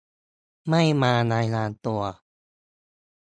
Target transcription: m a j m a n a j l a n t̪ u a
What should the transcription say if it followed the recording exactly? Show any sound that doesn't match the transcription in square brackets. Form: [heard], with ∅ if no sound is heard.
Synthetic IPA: m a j m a n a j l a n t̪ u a